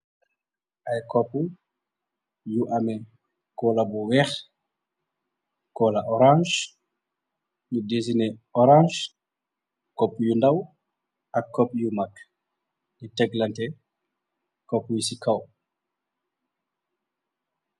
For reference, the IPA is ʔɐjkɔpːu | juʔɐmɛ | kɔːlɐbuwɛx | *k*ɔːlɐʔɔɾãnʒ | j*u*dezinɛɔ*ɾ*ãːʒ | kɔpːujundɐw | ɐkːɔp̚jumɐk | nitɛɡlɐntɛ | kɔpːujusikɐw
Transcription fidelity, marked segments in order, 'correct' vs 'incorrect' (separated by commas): correct, correct, correct